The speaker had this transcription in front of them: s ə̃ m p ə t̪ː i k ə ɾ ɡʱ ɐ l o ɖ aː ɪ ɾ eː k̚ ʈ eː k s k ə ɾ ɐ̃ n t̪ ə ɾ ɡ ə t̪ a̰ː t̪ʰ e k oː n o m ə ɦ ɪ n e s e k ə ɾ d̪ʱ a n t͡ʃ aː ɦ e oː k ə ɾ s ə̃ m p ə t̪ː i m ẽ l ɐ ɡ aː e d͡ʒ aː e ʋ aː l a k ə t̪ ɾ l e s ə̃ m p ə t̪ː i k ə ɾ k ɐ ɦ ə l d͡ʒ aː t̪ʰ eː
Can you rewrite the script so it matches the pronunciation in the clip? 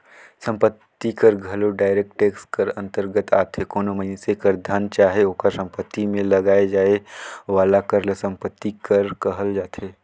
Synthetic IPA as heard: s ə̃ m p ə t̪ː i k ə ɾ ɡʱ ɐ l o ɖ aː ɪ ɾ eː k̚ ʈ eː k s k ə ɾ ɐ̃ n t̪ ə ɾ ɡ ə t̪ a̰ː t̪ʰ e k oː n o m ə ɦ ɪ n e s e k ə ɾ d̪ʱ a n t͡ʃ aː ɦ e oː k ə ɾ s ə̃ m p ə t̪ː i m ẽ l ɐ ɡ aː e d͡ʒ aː e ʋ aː l a k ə ɾ l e s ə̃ m p ə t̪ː i k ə ɾ k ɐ ɦ ə l d͡ʒ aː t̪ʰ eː